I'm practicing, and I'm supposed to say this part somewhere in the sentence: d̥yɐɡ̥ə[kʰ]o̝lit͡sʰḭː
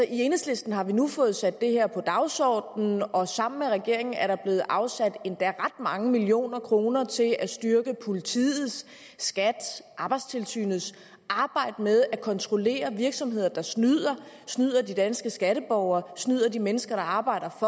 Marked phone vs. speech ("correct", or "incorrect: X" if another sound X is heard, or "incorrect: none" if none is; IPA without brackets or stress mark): incorrect: pʰ